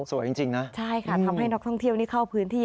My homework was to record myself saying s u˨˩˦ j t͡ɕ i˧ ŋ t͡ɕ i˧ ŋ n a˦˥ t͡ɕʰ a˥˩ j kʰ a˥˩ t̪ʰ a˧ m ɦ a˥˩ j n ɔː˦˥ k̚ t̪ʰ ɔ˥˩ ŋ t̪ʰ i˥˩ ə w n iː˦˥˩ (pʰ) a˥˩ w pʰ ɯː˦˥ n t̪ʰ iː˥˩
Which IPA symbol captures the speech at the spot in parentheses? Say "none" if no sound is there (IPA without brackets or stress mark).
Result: kʰ